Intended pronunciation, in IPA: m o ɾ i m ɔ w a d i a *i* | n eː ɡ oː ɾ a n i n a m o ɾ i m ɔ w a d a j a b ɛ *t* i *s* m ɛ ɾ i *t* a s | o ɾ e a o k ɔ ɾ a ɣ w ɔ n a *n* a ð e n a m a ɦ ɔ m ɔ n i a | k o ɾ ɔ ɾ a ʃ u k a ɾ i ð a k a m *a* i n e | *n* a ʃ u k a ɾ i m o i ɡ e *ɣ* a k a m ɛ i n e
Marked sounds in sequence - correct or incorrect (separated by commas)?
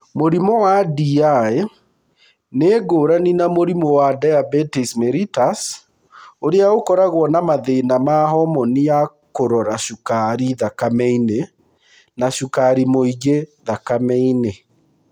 incorrect, correct, correct, correct, incorrect, incorrect, correct, incorrect